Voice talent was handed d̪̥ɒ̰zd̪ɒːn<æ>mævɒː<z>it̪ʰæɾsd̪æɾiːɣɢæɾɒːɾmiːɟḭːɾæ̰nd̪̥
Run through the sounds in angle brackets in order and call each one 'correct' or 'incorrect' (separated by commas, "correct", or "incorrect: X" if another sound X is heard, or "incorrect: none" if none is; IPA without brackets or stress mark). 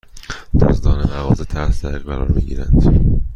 incorrect: e, correct